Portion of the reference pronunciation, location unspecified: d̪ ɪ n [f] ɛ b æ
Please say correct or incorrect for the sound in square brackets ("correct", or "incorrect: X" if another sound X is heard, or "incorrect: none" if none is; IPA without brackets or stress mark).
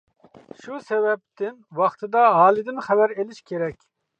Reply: incorrect: χ